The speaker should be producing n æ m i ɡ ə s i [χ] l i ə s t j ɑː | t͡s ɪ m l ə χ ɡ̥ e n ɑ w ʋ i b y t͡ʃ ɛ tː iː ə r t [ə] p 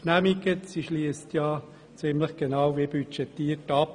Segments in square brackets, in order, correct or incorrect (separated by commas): incorrect, incorrect